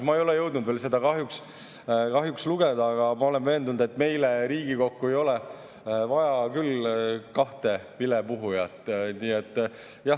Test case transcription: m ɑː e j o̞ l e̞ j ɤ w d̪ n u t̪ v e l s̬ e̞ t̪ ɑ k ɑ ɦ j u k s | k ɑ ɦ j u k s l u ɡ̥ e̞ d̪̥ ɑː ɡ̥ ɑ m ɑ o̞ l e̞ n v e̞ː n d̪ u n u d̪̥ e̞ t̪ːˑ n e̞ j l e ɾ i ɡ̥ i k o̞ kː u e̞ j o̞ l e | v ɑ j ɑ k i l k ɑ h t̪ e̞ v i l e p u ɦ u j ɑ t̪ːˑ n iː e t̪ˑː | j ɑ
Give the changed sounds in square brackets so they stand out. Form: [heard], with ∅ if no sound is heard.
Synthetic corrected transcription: m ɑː e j o̞ l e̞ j ɤ w d̪ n u [d̪] v e l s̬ e̞ [d̪] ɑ k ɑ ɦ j u k s | k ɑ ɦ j u k s l u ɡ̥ e̞ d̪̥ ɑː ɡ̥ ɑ m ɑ o̞ l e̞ n v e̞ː n d̪ u n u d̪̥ e̞ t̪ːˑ [m] e̞ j l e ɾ [iː] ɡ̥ i k o̞ kː u e̞ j o̞ l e | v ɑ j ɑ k [y] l k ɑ h t̪ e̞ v i l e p u ɦ u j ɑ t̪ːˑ n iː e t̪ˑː | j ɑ